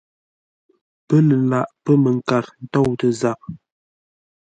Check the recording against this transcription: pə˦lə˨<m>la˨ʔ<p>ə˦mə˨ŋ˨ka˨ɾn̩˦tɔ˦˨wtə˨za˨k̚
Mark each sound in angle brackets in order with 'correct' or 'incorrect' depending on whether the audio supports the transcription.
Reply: incorrect: none, correct

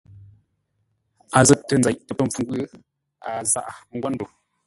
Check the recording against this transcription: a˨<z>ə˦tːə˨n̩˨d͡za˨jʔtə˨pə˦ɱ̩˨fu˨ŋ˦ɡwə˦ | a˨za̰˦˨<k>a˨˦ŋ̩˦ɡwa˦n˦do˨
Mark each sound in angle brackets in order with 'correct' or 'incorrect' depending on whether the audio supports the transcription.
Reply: correct, incorrect: ʔ

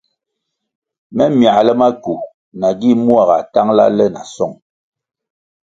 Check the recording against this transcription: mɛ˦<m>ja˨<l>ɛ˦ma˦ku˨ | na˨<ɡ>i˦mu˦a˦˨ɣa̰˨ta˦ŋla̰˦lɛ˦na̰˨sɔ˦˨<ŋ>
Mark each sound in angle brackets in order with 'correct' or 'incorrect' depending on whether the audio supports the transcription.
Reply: correct, correct, correct, correct

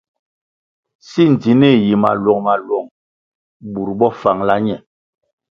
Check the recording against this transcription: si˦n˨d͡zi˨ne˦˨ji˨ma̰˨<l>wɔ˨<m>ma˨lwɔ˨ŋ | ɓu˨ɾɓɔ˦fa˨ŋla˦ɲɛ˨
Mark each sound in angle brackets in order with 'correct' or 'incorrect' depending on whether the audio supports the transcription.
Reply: correct, incorrect: ŋ

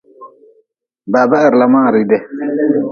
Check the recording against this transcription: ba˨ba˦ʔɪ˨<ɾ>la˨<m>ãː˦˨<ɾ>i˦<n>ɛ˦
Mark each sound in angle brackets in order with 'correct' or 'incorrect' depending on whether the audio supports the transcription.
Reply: correct, correct, correct, incorrect: d

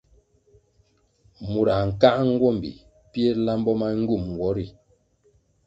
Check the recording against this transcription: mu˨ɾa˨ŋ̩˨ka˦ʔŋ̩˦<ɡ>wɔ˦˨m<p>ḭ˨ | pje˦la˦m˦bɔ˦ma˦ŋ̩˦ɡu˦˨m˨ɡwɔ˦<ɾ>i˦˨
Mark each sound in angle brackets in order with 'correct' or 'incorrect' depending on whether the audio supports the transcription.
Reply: correct, incorrect: b, correct

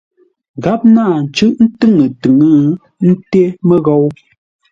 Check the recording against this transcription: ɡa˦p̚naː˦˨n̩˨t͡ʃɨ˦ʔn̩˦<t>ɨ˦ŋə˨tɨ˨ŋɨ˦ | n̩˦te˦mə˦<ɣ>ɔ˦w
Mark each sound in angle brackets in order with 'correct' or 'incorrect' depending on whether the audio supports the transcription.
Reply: correct, correct

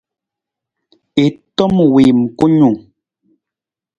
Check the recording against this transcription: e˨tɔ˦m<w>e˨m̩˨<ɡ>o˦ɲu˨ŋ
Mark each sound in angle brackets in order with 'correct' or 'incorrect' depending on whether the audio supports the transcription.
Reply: correct, incorrect: k

